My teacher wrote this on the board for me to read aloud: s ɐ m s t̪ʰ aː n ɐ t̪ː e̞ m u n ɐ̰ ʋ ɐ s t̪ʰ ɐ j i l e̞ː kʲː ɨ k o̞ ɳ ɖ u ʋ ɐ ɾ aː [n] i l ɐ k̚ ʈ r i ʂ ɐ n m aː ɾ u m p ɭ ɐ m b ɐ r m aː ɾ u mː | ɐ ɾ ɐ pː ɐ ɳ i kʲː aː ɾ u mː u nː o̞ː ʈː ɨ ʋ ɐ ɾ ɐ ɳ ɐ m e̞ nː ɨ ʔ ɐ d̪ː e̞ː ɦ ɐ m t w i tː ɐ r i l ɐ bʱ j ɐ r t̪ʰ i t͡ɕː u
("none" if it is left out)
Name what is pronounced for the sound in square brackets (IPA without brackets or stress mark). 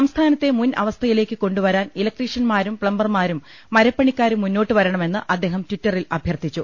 n